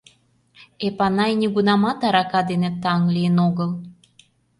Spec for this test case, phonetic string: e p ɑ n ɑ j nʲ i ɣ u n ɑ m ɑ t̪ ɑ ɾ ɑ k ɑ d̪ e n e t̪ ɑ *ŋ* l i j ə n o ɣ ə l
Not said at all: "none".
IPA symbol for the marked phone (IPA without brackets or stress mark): ŋ